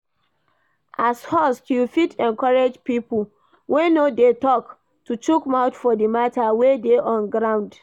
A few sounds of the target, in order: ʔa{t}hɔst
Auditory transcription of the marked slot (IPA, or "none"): s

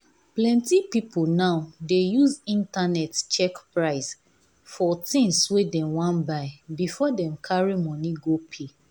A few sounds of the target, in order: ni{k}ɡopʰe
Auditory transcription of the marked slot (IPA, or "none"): none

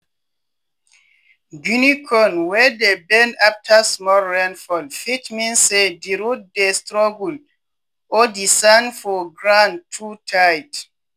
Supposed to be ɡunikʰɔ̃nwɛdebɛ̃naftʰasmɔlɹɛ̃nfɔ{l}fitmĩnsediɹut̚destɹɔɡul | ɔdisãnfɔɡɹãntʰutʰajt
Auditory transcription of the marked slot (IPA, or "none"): l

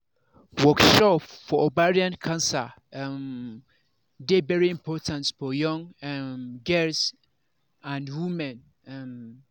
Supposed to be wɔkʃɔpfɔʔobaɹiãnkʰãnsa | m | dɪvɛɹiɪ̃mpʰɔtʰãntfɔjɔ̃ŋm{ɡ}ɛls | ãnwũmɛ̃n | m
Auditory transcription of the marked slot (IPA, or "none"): ɡ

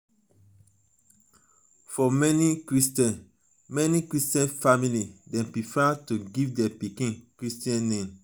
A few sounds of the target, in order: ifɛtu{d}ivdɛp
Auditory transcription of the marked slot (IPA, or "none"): ɡ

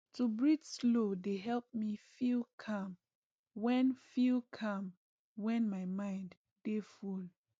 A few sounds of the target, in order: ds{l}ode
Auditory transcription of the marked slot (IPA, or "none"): l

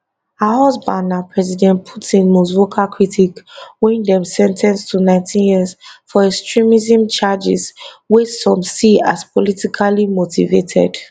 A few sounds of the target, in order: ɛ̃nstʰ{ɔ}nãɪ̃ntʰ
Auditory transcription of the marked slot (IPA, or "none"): u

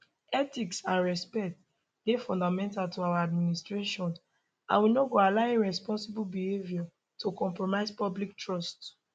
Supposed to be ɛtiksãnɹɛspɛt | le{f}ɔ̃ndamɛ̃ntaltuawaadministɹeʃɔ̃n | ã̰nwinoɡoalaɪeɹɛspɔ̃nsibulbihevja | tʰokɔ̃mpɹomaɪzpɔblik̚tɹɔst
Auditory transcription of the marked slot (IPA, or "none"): f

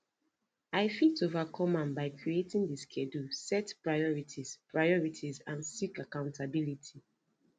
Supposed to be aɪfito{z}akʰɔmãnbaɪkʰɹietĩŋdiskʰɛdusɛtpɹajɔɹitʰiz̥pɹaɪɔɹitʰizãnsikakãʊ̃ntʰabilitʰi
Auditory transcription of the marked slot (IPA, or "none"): v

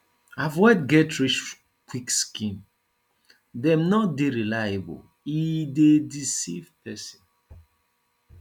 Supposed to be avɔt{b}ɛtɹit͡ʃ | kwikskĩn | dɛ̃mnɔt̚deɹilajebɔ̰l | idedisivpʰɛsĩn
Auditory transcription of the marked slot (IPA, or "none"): ɡ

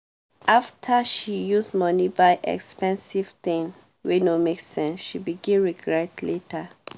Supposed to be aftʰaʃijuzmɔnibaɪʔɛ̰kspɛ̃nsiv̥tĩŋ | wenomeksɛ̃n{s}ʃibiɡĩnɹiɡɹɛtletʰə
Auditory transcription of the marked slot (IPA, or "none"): s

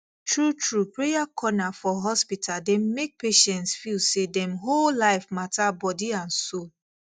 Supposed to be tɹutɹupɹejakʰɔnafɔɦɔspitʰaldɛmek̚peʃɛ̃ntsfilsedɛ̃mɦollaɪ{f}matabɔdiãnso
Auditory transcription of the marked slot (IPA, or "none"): f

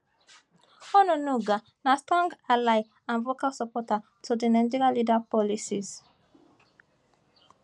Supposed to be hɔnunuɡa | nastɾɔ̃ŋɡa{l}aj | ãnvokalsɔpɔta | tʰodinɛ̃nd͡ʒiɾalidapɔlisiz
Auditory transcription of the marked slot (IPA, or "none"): l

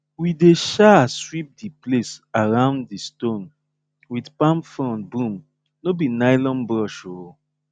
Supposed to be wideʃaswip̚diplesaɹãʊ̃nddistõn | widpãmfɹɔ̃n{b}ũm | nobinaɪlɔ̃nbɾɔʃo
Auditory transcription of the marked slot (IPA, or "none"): b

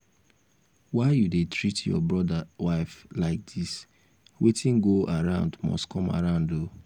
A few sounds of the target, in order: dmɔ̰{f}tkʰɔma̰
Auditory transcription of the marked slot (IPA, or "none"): s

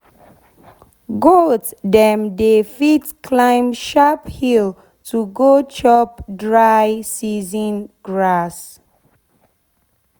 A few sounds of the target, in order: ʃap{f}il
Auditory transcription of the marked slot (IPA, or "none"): h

